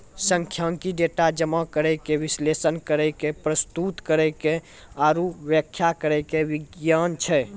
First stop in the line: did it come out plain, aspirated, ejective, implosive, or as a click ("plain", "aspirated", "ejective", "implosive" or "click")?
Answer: aspirated